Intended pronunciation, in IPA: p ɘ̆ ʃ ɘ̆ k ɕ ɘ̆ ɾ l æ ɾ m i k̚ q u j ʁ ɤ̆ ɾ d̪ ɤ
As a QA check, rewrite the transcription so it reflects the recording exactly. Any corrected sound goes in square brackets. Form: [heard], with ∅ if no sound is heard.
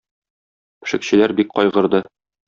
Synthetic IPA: p ɘ̆ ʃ ɘ̆ k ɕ ɘ̆ [∅] l æ ɾ [b] i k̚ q [ɒ] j ʁ ɤ̆ ɾ d̪ ɤ